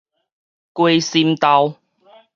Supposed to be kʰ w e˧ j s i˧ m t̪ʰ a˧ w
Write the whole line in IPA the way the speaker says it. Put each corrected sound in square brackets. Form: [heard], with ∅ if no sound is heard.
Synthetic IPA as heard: [k] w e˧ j s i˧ m [t̪] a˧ w